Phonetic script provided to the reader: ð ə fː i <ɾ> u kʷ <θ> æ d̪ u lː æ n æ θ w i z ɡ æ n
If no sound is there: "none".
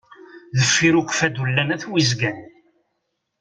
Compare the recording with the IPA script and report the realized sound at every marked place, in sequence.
ɾ, f

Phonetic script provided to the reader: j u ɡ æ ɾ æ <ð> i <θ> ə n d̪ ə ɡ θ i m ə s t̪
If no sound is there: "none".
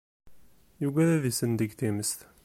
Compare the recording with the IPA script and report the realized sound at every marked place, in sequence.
ð, s

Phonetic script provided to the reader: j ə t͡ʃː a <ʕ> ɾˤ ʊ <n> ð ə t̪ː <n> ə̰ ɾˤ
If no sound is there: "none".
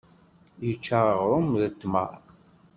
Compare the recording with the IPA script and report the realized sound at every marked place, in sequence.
ʁ, m, m

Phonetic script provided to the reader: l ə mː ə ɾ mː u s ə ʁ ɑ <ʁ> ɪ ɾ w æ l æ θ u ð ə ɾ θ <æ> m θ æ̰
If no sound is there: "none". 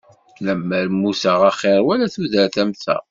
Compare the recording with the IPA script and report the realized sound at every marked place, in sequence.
χ, æ

